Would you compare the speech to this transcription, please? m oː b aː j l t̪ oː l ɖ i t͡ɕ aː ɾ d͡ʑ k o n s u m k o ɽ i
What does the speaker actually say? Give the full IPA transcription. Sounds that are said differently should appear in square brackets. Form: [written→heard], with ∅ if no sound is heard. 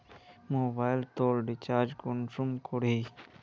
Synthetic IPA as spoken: m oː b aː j l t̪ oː l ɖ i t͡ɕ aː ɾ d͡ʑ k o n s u m k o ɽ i